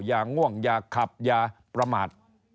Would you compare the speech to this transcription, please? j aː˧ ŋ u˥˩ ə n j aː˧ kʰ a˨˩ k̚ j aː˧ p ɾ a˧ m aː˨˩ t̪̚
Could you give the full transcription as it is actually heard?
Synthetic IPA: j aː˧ ŋ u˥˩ ə ŋ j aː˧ kʰ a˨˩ p̚ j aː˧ p ɾ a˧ m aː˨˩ t̪̚

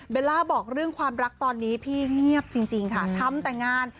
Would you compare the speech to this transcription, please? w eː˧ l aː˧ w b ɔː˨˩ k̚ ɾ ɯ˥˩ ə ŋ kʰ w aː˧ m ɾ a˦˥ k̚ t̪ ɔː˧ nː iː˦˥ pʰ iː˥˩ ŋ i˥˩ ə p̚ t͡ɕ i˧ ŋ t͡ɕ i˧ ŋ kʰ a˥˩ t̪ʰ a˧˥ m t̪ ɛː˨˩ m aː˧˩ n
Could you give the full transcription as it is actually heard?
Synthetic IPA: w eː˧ l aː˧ b ɔː˨˩ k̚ ɾ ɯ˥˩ ə ŋ kʰ w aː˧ m ɾ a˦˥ k̚ t̪ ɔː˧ nː iː˦˥ pʰ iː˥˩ ŋ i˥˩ ə p̚ t͡ɕ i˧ ŋ t͡ɕ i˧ ŋ kʰ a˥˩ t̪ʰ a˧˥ m t̪ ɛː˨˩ ŋ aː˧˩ n

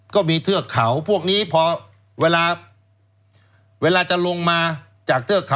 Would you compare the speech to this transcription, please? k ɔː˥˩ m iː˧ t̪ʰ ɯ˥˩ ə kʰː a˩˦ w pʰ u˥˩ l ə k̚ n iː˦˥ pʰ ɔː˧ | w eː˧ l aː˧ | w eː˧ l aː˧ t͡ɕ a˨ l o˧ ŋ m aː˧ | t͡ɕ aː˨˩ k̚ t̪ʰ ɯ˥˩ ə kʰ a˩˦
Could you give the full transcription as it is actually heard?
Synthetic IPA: k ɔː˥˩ m iː˧ t̪ʰ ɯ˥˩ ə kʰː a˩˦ w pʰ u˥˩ ə k̚ n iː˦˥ pʰ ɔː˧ | w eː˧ l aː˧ | w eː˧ l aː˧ t͡ɕ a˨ l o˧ ŋ m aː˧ | t͡ɕ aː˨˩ k̚ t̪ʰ ɯ˥˩ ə kʰ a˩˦

